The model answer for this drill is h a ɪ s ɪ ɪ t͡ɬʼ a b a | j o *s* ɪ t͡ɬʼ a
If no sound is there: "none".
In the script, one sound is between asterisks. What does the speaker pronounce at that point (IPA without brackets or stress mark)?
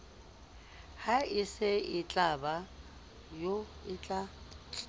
none